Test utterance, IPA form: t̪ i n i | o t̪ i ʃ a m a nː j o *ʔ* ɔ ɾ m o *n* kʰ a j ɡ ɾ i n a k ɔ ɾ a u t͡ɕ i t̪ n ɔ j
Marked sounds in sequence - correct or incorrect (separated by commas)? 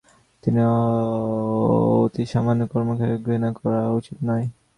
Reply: incorrect, incorrect